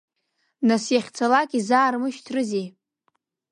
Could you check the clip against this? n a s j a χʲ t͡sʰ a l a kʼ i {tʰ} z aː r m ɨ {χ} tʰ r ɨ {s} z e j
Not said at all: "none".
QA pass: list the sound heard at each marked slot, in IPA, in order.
none, ʃ, none

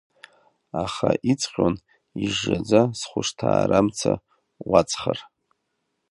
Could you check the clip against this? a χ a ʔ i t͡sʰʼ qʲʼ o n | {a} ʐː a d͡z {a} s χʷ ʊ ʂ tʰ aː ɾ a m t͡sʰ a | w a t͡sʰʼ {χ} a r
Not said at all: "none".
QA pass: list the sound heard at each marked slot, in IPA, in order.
i, a, χ

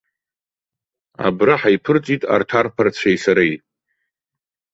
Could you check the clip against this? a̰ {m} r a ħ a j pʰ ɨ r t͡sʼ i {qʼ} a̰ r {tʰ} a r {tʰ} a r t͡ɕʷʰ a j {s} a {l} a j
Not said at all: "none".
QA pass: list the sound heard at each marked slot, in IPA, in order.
b, tʼ, tʰ, pʰ, s, ɾ

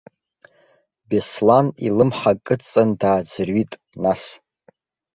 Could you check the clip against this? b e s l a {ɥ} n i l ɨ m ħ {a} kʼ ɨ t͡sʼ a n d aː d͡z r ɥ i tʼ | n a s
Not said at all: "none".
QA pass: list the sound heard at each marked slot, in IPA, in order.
none, a

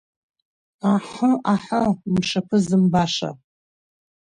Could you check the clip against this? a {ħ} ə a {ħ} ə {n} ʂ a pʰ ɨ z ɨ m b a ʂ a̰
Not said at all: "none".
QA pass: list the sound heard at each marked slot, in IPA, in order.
ħ, ħ, m

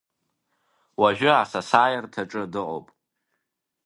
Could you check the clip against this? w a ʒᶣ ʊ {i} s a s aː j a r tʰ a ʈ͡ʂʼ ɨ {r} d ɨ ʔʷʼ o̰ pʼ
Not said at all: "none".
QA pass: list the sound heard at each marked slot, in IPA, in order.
a, none

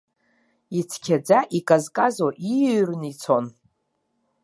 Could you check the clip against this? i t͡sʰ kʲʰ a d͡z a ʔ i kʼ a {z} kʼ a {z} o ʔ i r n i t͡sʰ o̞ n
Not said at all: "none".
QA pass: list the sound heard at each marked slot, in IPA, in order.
z, z

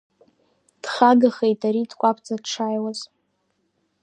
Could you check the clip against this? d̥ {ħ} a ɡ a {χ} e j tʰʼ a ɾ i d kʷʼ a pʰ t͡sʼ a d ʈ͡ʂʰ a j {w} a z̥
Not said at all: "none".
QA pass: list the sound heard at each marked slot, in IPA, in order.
χ, χ, w

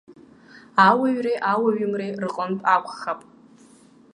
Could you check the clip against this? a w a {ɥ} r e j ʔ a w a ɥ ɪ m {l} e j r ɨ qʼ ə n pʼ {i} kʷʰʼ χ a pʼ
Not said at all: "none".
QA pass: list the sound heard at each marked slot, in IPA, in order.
ɥ, r, a

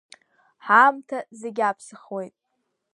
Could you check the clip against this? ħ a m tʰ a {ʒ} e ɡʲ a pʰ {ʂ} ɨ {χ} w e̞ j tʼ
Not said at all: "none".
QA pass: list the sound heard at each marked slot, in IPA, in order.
z, s, χ

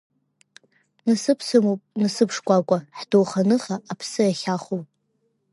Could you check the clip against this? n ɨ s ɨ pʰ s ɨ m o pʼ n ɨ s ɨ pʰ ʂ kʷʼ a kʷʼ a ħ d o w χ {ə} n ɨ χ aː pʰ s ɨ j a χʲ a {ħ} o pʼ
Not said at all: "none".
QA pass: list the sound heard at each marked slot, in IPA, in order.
a, χ

